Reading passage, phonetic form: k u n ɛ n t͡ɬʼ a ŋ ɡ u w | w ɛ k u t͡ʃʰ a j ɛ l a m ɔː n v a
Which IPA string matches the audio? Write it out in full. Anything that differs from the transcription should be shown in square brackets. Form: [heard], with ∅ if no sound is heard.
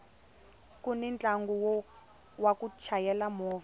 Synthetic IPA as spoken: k u n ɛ n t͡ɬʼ a ŋ ɡ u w | w [a] k u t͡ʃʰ a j ɛ l a m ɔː [∅] v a

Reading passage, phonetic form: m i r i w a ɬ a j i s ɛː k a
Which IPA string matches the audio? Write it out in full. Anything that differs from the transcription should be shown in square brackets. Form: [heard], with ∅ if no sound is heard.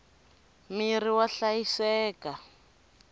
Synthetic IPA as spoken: m i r i w a ɬ a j i s ɛː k a

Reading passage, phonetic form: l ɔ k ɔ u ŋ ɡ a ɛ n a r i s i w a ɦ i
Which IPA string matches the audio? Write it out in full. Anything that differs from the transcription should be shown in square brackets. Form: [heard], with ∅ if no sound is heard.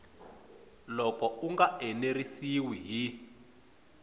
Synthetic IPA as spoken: l ɔ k ɔ u ŋ ɡ a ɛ n [e] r i s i w [i] ɦ i

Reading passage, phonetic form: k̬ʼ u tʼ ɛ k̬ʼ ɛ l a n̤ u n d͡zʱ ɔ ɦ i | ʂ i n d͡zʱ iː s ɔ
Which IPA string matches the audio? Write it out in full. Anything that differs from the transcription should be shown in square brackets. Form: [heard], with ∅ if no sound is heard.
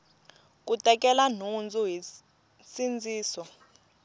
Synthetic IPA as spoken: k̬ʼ u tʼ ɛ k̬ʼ ɛ l a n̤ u n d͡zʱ [u] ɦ i | [s] i n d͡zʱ iː s ɔ

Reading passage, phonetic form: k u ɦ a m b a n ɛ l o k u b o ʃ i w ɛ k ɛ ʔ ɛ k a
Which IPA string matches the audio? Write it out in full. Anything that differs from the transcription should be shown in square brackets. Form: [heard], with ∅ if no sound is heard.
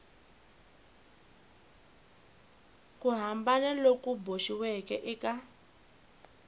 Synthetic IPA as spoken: k u ɦ a m b a n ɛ l o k u b o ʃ i w ɛ k ɛ ʔ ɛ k a

